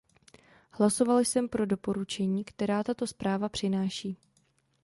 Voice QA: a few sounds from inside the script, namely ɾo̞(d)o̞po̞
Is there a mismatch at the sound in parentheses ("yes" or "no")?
no